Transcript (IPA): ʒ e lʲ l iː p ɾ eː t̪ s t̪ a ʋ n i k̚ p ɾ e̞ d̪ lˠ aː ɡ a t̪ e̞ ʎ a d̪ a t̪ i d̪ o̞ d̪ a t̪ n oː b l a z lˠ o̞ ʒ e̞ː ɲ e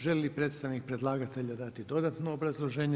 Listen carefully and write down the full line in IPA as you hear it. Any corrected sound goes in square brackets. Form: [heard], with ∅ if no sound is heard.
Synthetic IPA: ʒ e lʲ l [i] p ɾ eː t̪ s t̪ a ʋ n i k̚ p ɾ e̞ d̪ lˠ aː ɡ a t̪ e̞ ʎ a d̪ a t̪ i d̪ o̞ d̪ a t̪ n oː b [ɾ] a z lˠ o̞ ʒ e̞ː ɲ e